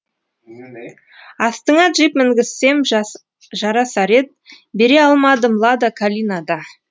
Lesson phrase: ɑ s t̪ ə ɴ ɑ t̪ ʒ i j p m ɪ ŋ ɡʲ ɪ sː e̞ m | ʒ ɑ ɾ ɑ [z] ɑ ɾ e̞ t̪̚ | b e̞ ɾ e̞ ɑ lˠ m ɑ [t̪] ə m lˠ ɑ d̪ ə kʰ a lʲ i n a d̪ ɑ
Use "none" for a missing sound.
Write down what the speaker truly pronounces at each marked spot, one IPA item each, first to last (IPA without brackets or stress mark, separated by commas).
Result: s, d̪